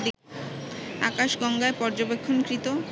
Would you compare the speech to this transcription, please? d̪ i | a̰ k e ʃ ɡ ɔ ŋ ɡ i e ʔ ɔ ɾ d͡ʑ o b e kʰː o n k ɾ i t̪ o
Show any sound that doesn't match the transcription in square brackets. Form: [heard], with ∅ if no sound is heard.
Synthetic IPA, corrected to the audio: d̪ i | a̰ k [a] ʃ ɡ ɔ ŋ ɡ [a] e [p] ɔ ɾ d͡ʑ o b e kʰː o n k ɾ i t̪ o